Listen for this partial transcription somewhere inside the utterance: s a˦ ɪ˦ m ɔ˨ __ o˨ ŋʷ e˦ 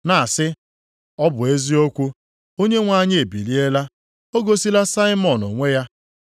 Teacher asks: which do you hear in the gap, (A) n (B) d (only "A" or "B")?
A